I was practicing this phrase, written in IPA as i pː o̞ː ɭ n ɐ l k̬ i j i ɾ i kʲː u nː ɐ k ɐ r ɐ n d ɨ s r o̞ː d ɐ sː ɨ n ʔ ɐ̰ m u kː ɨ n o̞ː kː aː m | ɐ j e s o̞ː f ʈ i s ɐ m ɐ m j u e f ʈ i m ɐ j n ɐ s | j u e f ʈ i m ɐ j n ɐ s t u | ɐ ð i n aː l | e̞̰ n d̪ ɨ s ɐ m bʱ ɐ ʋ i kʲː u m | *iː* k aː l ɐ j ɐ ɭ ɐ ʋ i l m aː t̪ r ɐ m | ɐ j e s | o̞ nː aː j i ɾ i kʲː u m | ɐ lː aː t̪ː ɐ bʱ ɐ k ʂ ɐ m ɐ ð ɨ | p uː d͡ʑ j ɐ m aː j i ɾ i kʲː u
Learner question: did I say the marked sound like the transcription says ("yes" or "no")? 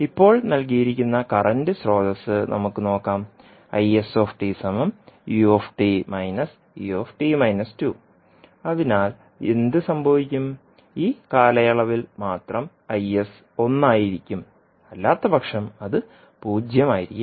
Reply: yes